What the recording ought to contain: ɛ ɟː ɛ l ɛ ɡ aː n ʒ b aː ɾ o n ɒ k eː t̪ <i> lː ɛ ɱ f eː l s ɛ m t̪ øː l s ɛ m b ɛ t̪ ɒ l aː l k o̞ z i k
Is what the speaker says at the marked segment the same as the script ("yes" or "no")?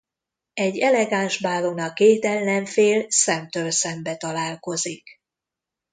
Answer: no